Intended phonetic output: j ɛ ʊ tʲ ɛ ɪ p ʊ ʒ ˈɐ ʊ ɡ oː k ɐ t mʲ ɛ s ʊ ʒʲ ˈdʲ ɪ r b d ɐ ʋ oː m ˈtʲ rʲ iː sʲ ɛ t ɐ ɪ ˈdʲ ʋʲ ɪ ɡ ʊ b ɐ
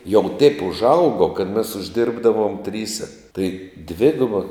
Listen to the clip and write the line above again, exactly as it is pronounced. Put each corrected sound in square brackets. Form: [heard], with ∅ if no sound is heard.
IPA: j ɛ ʊ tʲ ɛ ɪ p ʊ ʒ ˈɐ ʊ ɡ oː k ɐ t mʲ ɛ s ʊ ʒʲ ˈdʲ ɪ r b d ɐ ʋ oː m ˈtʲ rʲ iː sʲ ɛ t ɐ ɪ ˈdʲ ʋʲ ɪ ɡ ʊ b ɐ

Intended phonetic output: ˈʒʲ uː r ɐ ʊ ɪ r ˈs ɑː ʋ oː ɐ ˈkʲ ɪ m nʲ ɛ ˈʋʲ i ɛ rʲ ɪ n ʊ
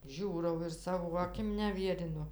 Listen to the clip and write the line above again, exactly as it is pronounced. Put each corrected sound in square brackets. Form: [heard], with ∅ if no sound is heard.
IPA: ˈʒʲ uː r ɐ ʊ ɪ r ˈs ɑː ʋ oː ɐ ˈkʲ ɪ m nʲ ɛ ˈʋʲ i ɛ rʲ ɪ n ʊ

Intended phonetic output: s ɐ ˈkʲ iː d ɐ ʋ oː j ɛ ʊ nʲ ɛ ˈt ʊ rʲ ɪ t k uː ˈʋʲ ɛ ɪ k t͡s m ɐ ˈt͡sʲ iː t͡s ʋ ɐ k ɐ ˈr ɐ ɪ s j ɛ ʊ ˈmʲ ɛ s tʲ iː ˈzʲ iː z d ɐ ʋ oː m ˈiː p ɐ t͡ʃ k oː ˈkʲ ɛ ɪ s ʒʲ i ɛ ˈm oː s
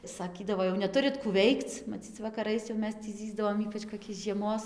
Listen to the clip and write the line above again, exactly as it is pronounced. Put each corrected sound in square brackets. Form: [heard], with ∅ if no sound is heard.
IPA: s ɐ ˈkʲ iː d ɐ ʋ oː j ɛ ʊ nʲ ɛ ˈt ʊ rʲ ɪ t k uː ˈʋʲ ɛ ɪ k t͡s m ɐ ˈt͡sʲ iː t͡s ʋ ɐ k ɐ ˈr ɐ ɪ s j ɛ ʊ ˈmʲ ɛ s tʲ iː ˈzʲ iː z d ɐ ʋ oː m ˈiː p ɐ t͡ʃ k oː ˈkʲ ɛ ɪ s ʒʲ i ɛ ˈm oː s

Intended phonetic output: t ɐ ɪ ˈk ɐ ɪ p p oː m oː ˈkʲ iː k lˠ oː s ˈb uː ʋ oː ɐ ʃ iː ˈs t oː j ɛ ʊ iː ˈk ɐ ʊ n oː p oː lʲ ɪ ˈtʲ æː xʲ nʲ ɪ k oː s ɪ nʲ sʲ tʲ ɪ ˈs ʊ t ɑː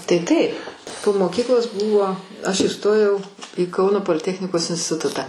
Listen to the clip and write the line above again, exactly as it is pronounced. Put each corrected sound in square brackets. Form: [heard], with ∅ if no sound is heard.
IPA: t ɐ ɪ [ˈt] ɐ ɪ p p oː m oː ˈkʲ iː k lˠ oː s ˈb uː ʋ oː ɐ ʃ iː ˈs t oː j ɛ ʊ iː ˈk ɐ ʊ n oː p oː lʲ ɪ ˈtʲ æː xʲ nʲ ɪ k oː s ɪ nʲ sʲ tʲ ɪ [ˈt] ʊ t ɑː

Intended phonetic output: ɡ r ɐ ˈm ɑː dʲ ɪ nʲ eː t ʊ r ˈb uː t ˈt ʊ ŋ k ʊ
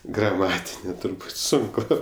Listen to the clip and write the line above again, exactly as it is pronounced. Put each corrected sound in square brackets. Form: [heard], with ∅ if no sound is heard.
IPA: ɡ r ɐ ˈm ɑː [tʲ] ɪ nʲ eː t ʊ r ˈb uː t [ˈs] ʊ ŋ k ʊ

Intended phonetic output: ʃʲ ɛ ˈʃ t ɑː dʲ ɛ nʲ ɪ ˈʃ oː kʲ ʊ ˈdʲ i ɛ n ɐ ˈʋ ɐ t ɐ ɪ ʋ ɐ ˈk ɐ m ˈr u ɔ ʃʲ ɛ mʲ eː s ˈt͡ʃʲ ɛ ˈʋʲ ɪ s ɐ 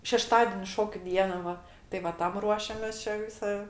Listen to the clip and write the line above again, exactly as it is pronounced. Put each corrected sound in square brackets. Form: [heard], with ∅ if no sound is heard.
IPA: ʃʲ ɛ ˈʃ t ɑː dʲ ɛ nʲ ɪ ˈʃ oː kʲ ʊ ˈdʲ i ɛ n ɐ ˈʋ ɐ t ɐ ɪ ʋ ɐ [ˈt] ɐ m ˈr u ɔ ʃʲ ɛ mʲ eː s ˈt͡ʃʲ ɛ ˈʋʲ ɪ s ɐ

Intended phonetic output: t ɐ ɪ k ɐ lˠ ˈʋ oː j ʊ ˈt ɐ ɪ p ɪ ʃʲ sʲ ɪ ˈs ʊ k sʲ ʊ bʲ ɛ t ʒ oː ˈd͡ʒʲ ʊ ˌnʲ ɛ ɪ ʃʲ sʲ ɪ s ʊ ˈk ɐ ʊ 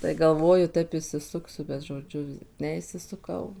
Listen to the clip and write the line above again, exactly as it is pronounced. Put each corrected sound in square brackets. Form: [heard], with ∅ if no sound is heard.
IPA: t ɐ ɪ [ɡ] ɐ lˠ ˈʋ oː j ʊ ˈt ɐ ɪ p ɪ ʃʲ sʲ ɪ ˈs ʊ k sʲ ʊ bʲ ɛ t ʒ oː ˈd͡ʒʲ ʊ ˌnʲ ɛ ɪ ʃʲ sʲ ɪ s ʊ ˈk ɐ ʊ

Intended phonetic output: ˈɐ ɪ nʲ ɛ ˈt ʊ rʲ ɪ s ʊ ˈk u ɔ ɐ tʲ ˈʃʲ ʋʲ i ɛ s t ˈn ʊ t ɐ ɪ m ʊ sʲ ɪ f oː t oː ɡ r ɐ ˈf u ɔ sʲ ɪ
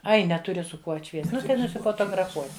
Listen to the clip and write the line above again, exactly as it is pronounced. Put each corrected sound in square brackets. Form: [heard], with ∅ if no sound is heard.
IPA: ˈɐ ɪ nʲ ɛ ˈt ʊ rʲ ɪ s ʊ ˈk u ɔ ɐ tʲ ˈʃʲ ʋʲ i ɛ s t ˈn ʊ t ɐ ɪ [n] ʊ sʲ ɪ f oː t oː ɡ r ɐ ˈf u ɔ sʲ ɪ

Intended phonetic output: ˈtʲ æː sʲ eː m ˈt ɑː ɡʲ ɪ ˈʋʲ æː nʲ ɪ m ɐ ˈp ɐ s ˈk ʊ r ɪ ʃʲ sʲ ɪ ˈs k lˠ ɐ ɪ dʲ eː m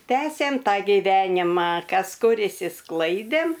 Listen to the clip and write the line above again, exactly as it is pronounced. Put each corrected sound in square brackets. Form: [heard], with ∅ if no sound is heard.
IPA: ˈtʲ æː sʲ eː m ˈt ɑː ɡʲ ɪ ˈʋʲ æː nʲ ɪ m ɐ [ˈk] ɐ s ˈk ʊ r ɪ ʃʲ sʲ ɪ ˈs k lˠ ɐ ɪ dʲ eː m

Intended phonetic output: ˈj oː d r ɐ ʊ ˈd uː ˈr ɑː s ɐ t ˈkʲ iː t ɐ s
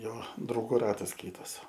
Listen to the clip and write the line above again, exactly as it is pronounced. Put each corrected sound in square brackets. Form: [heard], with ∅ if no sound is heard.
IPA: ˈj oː d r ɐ ʊ [ˈɡ] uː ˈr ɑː [t] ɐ [s] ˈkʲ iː t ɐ s

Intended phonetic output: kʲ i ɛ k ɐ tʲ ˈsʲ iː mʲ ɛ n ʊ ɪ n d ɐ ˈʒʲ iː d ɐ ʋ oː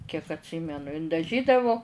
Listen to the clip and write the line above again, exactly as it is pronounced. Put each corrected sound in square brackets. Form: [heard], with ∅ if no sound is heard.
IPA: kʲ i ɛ k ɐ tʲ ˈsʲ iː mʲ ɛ n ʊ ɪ n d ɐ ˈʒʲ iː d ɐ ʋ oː

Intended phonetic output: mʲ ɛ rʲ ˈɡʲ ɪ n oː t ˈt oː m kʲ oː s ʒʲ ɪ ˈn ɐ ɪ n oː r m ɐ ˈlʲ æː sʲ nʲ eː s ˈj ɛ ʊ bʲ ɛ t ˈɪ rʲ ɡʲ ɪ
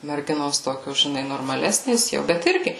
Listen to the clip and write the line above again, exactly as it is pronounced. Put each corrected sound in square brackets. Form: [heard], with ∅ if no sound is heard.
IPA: mʲ ɛ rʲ ˈɡʲ ɪ n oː [s] ˈt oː [∅] kʲ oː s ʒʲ ɪ ˈn ɐ ɪ n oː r m ɐ ˈlʲ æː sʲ nʲ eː s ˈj ɛ ʊ bʲ ɛ t ˈɪ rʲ ɡʲ ɪ

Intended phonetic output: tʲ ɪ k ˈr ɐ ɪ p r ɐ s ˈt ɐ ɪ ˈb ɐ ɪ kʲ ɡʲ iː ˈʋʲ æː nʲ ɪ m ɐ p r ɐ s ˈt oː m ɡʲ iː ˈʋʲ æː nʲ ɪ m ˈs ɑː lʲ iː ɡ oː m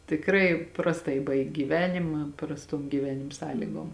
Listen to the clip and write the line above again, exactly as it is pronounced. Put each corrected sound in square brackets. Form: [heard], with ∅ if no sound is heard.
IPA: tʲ ɪ k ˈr ɐ ɪ p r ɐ s ˈt ɐ ɪ ˈb ɐ ɪ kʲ ɡʲ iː ˈʋʲ æː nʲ ɪ m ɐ p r ɐ s ˈt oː m ɡʲ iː ˈʋʲ æː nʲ ɪ m ˈs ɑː lʲ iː ɡ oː m

